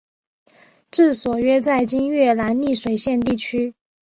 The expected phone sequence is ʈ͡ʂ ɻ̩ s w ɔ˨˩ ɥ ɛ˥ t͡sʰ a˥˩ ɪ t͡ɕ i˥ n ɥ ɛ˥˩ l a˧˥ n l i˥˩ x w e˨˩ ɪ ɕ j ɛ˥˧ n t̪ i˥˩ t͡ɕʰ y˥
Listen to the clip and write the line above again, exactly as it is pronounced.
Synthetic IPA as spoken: ʈ͡ʂ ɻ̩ s w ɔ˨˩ ɥ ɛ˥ t͡s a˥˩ ɪ t͡ɕ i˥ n ɥ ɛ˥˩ l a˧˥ n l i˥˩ ʂ w e˨˩ ɪ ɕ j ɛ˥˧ n t̪ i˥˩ t͡ɕʰ y˥